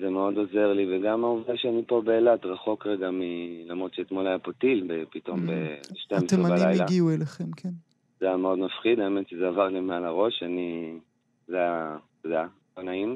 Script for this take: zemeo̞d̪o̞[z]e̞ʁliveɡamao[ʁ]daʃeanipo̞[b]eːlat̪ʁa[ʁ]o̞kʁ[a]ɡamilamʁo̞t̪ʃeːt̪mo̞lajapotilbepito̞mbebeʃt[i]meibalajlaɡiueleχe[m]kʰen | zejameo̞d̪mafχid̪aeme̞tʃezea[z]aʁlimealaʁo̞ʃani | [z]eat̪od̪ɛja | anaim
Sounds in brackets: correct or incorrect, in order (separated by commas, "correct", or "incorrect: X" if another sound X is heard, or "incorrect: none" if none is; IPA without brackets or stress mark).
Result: correct, incorrect: v, correct, incorrect: χ, incorrect: e, incorrect: e, correct, incorrect: v, correct